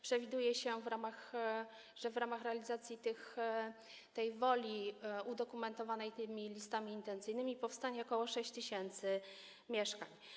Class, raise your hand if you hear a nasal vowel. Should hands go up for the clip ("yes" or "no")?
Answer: no